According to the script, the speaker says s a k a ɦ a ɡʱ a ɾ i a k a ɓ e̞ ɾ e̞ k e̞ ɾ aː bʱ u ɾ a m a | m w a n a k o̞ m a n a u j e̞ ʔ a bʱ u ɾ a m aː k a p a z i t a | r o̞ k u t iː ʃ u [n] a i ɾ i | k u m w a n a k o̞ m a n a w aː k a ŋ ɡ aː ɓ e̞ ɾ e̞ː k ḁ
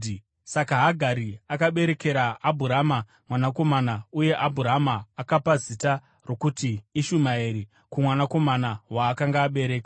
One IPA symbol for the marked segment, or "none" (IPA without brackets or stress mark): m